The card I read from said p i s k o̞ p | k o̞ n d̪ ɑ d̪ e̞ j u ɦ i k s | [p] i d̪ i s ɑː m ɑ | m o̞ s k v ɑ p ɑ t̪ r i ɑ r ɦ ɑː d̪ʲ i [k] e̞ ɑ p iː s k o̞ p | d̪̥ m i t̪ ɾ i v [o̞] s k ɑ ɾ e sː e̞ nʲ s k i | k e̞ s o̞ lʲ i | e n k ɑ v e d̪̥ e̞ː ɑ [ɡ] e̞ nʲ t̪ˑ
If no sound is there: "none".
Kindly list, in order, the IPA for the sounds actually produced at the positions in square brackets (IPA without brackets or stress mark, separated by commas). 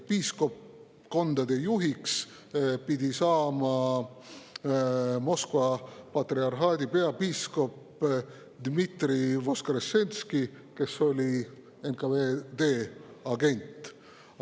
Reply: p, p, o̞, ɡ